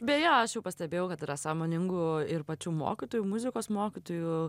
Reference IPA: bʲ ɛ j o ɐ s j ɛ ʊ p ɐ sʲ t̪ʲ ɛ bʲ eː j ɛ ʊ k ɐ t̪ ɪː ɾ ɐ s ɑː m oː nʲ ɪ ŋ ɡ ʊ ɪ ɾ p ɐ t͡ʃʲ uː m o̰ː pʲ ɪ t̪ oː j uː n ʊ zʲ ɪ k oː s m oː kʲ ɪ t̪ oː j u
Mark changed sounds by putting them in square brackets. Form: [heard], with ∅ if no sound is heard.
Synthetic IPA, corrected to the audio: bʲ ɛ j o ɐ [ʃ] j ɛ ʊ p ɐ sʲ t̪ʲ ɛ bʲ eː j ɛ ʊ k ɐ t̪ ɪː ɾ ɐ s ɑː m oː nʲ ɪ ŋ ɡ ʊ ɪ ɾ p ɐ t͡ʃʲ uː m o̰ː [kʲ] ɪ t̪ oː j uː [m] ʊ zʲ ɪ k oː s m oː kʲ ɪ t̪ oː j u